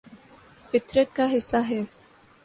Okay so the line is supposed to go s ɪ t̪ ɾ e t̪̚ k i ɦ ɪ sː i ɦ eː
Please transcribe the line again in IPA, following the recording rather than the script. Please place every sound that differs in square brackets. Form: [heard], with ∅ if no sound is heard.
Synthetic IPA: [f] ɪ t̪ ɾ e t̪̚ k [a] ɦ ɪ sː [a] ɦ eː